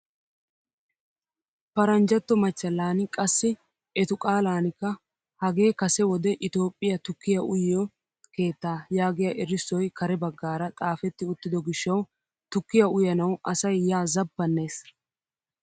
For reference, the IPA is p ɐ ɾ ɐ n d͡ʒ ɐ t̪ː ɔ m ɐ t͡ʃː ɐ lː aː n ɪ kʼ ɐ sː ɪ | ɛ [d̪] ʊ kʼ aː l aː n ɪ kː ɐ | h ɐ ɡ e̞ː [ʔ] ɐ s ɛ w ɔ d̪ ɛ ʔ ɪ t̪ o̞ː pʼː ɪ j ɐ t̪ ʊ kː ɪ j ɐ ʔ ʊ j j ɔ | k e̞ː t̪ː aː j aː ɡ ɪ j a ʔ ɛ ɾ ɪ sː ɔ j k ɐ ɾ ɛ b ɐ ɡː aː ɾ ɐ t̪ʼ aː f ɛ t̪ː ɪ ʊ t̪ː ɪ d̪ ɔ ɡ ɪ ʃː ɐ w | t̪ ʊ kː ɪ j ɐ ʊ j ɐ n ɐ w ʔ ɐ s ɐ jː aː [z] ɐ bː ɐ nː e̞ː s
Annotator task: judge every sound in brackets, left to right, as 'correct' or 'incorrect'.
incorrect, incorrect, correct

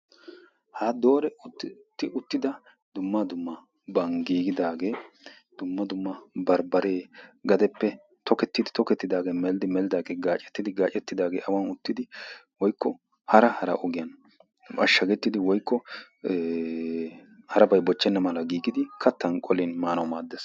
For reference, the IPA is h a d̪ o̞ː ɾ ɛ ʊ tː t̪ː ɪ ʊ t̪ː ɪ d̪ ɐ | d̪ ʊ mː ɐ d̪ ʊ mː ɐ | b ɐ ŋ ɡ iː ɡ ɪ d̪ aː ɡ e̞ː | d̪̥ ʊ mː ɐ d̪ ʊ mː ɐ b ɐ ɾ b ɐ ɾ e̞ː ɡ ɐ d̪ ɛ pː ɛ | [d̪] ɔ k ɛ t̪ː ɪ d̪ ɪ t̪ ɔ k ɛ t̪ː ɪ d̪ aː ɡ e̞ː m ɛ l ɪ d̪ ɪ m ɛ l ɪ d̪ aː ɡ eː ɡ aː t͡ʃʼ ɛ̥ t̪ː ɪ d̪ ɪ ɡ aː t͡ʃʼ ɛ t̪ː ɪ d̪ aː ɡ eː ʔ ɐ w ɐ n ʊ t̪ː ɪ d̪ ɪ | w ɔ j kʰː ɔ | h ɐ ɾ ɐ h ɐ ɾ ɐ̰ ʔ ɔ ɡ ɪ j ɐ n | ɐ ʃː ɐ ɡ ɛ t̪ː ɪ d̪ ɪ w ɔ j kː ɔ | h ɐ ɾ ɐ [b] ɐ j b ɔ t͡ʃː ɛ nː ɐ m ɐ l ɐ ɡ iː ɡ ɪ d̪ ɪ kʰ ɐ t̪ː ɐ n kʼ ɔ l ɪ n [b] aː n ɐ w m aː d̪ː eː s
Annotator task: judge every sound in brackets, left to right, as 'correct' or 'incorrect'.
incorrect, correct, incorrect

